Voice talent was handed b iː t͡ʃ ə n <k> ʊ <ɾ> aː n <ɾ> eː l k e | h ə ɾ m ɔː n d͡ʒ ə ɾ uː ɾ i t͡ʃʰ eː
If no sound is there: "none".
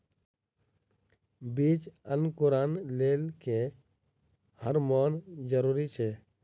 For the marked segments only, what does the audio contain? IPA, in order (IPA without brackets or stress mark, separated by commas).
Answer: k, ɾ, l